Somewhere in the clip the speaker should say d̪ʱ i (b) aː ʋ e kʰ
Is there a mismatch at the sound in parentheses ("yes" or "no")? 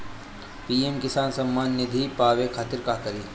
yes